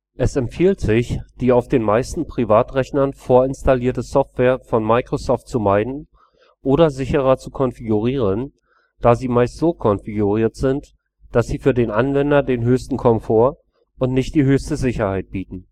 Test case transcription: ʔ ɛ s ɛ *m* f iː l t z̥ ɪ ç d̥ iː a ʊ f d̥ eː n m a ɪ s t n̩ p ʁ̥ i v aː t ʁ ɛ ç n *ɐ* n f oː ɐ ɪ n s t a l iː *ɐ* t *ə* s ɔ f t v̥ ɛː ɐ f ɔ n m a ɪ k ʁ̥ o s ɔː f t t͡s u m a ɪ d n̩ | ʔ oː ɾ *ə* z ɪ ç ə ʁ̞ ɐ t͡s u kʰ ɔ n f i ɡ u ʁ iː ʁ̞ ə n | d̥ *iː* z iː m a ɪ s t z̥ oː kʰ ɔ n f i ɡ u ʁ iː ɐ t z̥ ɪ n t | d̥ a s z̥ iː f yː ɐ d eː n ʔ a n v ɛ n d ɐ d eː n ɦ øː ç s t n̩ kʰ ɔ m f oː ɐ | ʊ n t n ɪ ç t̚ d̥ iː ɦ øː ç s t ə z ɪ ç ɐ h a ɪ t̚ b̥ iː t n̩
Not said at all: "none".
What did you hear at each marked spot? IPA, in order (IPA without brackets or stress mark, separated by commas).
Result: m, ɐ, ɐ, ə, ɐ, aː